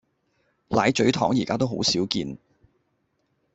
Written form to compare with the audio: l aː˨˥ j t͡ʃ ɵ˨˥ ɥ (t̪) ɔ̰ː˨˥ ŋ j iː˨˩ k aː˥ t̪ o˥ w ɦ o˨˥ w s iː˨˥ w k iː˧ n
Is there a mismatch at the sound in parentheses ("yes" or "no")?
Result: yes